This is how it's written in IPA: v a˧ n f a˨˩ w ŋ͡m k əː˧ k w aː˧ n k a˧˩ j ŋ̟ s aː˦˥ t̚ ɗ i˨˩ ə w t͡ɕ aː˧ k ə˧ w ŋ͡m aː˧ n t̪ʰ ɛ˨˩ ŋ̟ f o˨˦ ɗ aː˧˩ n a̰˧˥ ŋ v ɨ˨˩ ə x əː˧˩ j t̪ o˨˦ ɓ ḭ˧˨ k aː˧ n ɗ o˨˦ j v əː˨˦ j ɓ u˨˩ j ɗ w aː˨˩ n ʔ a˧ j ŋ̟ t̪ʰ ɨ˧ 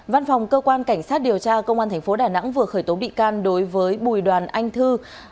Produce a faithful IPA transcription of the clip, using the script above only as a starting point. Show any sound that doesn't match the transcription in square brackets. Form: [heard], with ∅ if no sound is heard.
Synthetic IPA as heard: v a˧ n f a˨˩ w ŋ͡m k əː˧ k w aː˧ n k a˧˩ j ŋ̟ s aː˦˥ t̚ ɗ i˨˩ ə w t͡ɕ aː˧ k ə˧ w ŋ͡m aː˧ n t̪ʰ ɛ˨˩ ŋ̟ f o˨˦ ɗ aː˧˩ n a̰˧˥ ŋ v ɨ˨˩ ə x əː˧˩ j t̪ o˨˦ ɓ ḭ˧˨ k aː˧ n ɗ o˨˦ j v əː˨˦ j ɓ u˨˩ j ɗ w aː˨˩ n ʔ a˧ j ŋ̟ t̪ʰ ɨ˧